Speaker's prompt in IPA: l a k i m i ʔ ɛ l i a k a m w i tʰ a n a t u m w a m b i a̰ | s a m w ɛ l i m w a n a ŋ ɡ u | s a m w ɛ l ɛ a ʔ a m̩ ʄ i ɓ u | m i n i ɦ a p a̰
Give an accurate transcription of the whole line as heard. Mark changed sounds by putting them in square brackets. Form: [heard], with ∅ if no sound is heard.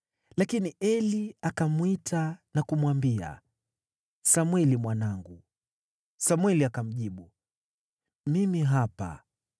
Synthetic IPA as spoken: l a k i [n] i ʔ ɛ l i a k a m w i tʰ a n a [k] u m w a m b i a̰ | s a m w ɛ l i m w a n a ŋ ɡ u | s a m w ɛ l [i] a [k] a m̩ ʄ i ɓ u | m i [m] i ɦ a p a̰

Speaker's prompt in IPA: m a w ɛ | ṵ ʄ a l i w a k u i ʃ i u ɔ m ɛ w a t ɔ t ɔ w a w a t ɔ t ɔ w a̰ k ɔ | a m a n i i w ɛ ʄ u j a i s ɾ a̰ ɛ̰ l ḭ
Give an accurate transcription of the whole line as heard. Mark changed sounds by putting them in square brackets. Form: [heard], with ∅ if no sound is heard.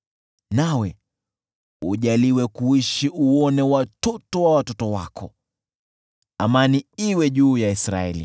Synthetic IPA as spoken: [n] a w ɛ | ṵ ʄ a l i w [ɛ] k u i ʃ i u ɔ [n] ɛ w a t ɔ t ɔ w a w a t ɔ t ɔ w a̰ k ɔ | a m a n i i w ɛ ʄ [uː] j a i s ɾ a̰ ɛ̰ l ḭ

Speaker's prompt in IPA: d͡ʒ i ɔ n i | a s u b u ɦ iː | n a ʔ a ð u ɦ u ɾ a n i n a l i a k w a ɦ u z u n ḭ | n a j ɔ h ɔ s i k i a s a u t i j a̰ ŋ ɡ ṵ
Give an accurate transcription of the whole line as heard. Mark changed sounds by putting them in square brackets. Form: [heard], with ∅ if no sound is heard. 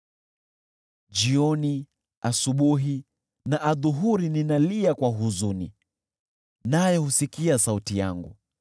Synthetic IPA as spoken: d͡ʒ i ɔ n i | a s u [ɓ] u ɦ [i] | n a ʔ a ð u ɦ u ɾ [i] n i n a l i a k w a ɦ u z u n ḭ | n a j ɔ h [u] s i k i a s a u t i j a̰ ŋ ɡ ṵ

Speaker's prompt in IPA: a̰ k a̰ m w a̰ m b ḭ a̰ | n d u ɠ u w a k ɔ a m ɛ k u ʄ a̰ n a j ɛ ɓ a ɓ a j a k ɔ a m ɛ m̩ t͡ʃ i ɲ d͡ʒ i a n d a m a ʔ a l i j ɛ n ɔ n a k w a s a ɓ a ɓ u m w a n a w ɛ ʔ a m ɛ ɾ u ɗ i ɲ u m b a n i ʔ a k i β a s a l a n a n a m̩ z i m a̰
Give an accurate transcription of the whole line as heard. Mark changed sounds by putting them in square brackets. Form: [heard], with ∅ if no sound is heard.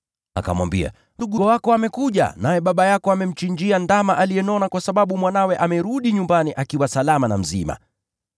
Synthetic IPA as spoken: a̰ k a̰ m w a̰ m b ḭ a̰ | n d u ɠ u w a k ɔ a m ɛ k u ʄ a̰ n a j ɛ ɓ a ɓ a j a k ɔ a m ɛ m̩ t͡ʃ i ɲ d͡ʒ i a n d a m a ʔ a l i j ɛ n ɔ n a k w a s a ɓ a ɓ u m w a n a w ɛ ʔ a m ɛ ɾ u ɗ i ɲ u m b a n i ʔ a k i [w] a s a l a [m] a n a m̩ z i m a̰

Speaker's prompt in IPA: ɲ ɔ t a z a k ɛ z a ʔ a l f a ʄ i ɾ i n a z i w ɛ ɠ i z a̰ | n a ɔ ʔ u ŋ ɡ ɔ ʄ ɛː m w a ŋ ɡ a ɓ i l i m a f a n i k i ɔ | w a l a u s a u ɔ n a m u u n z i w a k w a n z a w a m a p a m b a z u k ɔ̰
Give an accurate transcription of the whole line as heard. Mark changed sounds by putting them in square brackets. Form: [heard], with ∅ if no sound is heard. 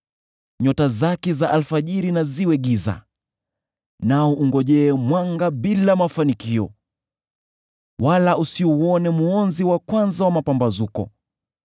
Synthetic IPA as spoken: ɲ ɔ t a z a k ɛ z a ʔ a l f a ʄ i ɾ i n a z i w ɛ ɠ i z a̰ | n a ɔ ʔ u ŋ ɡ ɔ ʄ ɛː m w a ŋ ɡ a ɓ i l [a] m a f a n i k i ɔ | w a l a u s [i] u ɔ n [ɛ] m u [ɔ] n z i w a k w a n z a w a m a p a m b a z u k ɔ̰

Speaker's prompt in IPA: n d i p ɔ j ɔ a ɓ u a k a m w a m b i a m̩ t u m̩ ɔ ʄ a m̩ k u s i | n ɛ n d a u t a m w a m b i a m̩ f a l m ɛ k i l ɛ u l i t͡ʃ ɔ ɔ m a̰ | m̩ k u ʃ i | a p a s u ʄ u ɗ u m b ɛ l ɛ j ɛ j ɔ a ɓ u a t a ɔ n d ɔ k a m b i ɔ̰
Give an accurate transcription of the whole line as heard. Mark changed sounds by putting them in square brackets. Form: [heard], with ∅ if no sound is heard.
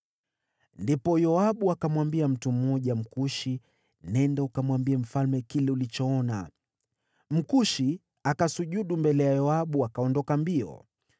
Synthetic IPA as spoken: n d i p ɔ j ɔ a ɓ u a k a m w a m b i a m̩ t u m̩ ɔ ʄ a m̩ k u [ʃ] i | n ɛ n d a u [k] a m w a m b i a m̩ f a l m ɛ k i l ɛ u l i t͡ʃ ɔ ɔ [n] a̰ | m̩ k u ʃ i | a [k] a s u ʄ u ɗ u m b ɛ l ɛ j [a] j ɔ a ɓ u a [k] a ɔ n d ɔ k a m b i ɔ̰

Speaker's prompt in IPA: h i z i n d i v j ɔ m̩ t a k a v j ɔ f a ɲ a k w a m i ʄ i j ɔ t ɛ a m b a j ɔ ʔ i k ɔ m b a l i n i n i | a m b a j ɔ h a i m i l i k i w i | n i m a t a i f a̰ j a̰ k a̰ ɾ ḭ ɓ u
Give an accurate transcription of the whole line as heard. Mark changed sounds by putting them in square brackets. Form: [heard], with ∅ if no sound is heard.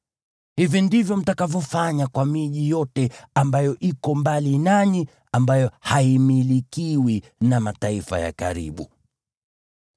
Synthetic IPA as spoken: h i [v] i n d i v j ɔ m̩ t a k a v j ɔ f a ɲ a k w a m i ʄ i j ɔ t ɛ a m b a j ɔ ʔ i k ɔ m b a l i n [a] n i | a m b a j ɔ h a i m i l i k i w i | n [a] m a t a i f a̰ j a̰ k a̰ ɾ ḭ ɓ u

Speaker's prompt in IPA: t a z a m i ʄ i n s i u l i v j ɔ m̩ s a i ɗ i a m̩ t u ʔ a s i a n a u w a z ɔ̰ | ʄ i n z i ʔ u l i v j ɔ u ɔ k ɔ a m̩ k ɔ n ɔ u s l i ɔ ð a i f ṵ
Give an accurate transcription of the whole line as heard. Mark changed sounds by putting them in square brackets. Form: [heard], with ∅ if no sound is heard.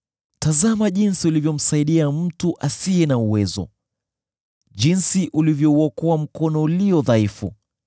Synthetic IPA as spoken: t a z a m [a] ʄ i n s i u l i v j ɔ m̩ s a i ɗ i a m̩ t u ʔ a s i [ɛ] n a u w [ɛ] z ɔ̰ | ʄ i n [s] i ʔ u l i v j ɔ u ɔ k ɔ a m̩ k ɔ n ɔ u [∅] l i ɔ ð a i f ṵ

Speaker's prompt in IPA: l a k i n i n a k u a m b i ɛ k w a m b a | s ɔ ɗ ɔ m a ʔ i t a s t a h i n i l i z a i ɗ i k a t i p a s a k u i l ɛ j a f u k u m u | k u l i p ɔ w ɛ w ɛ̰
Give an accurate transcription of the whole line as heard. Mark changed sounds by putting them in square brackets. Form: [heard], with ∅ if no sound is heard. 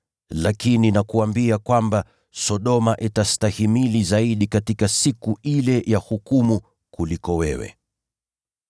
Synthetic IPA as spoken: l a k i n i n a k u a m b i [a] k w a m b a | s ɔ ɗ ɔ m a ʔ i t a s t a h i [m] i l i z a i ɗ i k a t i [k] a s [i] k u i l ɛ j a [h] u k u m u | k u l i [k] ɔ w ɛ w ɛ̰

